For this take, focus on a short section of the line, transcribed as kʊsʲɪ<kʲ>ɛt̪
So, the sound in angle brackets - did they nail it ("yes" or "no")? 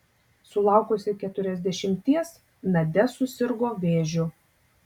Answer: yes